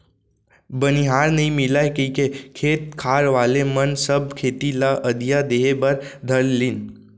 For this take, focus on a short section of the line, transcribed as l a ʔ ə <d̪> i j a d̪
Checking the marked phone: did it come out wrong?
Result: no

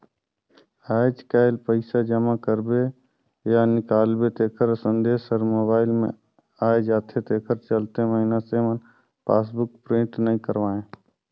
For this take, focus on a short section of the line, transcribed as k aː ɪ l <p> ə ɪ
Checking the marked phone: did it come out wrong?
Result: no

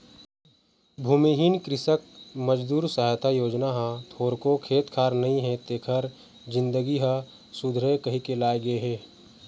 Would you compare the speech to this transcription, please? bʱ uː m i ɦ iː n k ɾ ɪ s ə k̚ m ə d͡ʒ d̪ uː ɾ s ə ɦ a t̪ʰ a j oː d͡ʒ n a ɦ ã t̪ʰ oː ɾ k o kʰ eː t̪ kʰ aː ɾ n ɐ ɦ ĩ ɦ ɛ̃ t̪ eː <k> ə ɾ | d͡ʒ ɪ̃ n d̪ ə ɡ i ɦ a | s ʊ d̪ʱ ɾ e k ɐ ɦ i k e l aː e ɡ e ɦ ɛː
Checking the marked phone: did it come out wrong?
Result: yes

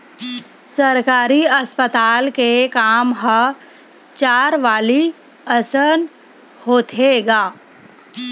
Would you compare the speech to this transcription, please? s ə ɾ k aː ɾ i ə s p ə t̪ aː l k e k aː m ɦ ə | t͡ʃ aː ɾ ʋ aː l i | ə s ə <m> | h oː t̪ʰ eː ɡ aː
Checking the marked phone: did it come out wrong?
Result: yes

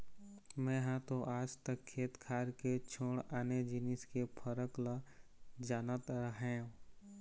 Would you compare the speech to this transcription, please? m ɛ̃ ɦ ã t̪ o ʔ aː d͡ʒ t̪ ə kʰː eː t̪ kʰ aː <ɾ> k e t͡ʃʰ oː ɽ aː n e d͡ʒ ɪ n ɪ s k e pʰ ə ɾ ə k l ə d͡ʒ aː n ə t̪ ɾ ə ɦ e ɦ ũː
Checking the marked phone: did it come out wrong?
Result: no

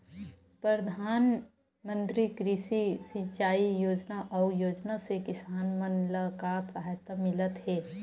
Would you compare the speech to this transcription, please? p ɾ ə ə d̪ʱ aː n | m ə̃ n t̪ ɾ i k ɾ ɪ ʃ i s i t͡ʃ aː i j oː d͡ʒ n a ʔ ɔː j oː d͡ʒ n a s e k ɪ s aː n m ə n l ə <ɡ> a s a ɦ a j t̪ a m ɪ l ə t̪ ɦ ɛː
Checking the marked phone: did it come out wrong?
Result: yes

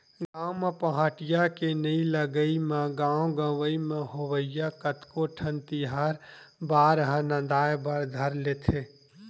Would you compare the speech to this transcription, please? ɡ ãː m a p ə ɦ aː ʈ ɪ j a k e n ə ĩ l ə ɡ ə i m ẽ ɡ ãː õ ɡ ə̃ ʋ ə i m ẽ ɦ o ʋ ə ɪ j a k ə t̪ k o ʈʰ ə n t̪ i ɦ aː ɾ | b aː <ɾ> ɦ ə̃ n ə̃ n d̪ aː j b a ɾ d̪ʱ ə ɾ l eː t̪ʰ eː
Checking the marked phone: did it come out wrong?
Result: no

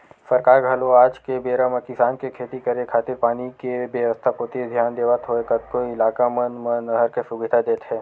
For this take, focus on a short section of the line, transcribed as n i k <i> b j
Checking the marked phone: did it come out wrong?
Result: yes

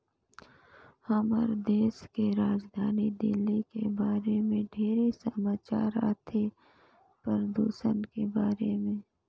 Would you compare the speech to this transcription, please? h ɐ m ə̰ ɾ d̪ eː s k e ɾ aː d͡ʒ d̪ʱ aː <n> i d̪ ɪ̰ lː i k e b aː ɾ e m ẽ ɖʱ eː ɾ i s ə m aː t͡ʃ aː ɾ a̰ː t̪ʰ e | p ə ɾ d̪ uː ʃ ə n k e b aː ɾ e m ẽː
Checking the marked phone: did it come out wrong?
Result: no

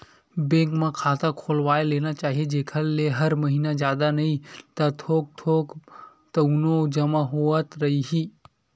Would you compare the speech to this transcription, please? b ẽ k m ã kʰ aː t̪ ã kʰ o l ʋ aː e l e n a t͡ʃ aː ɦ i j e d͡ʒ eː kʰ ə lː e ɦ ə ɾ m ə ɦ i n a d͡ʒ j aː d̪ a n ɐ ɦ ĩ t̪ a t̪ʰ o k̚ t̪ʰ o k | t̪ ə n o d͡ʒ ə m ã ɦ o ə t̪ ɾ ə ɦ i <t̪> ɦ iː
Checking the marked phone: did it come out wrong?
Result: yes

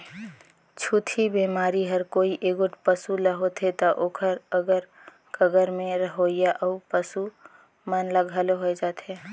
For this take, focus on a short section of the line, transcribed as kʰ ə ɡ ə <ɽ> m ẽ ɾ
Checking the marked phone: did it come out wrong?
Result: yes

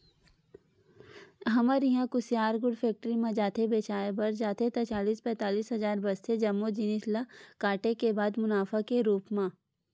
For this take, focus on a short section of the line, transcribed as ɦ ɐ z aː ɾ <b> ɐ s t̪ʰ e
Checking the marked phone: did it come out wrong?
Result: no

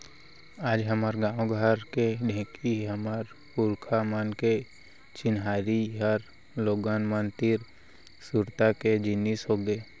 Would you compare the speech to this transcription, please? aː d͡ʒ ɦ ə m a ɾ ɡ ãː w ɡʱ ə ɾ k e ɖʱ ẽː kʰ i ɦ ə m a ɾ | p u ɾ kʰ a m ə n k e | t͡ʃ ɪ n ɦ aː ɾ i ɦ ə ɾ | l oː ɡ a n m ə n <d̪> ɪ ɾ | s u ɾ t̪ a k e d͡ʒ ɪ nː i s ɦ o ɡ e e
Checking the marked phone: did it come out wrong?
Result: yes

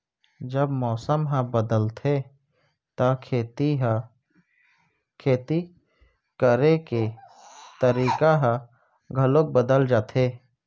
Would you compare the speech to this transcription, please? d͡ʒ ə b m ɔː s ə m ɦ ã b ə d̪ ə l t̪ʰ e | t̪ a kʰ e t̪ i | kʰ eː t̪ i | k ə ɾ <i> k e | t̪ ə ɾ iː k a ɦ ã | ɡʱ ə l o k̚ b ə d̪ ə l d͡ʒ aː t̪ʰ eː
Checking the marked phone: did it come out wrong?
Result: yes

